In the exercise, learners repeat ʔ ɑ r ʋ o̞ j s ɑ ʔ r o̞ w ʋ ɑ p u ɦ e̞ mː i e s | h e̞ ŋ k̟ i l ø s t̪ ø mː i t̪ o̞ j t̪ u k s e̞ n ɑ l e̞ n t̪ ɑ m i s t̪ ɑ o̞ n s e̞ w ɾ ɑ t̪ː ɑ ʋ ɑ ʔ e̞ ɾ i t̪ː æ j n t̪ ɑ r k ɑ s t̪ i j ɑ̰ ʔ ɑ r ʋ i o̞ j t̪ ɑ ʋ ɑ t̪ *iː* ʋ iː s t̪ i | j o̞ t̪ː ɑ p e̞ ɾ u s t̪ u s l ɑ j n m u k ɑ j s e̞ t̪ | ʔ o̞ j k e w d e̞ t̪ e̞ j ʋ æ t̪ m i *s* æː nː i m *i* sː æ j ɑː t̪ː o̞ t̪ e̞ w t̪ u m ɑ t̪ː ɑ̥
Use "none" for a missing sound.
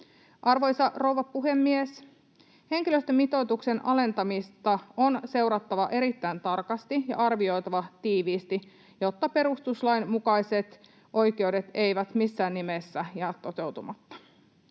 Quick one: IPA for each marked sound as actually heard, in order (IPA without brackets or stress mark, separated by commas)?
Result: iː, sː, e